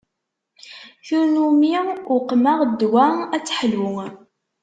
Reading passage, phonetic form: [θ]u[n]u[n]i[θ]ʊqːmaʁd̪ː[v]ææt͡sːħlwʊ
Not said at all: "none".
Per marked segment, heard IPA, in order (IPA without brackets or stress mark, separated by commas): θ, n, m, none, w